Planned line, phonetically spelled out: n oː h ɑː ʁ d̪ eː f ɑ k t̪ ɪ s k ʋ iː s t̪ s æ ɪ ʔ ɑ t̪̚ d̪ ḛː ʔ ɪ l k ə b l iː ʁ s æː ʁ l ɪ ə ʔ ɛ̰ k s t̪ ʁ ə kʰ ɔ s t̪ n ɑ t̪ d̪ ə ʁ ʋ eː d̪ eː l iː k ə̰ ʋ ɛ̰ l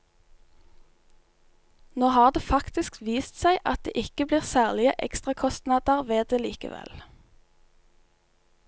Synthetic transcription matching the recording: n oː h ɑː ʁ d̪ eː f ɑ k t̪ ɪ s k ʋ iː s t̪ s æ ɪ ʔ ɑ t̪̚ d̪ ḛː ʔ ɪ k ə b l iː ʁ s æː ʁ l ɪ ə ʔ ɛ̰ k s t̪ ʁ ɑ kʰ ɔ s t̪ n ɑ d̪ ə ʁ ʋ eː d̪ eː l iː k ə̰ ʋ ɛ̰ l